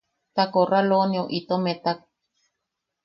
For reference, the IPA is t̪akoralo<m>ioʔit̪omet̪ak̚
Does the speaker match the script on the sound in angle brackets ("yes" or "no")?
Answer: no